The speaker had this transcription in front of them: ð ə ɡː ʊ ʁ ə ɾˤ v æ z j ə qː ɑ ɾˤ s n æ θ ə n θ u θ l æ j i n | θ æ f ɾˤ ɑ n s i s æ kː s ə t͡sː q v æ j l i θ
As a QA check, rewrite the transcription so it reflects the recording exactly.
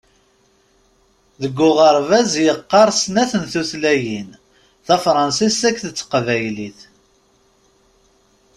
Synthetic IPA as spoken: ð ə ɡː ʊ ʁ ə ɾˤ v æ z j ə qː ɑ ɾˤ s n æ θ ə n θ u θ l æ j i n | θ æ f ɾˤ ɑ n s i s æ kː θ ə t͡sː q v æ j l i θ